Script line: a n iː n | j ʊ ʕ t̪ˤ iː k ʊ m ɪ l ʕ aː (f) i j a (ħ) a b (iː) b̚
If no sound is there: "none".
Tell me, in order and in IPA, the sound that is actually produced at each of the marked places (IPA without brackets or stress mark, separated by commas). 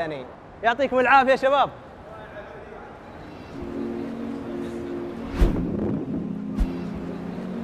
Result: f, ʃ, aː